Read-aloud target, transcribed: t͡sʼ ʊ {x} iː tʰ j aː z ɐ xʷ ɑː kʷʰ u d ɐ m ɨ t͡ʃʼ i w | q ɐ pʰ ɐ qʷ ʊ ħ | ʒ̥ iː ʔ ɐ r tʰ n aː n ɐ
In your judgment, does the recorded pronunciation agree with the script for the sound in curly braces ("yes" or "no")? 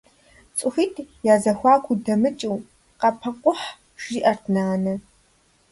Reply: yes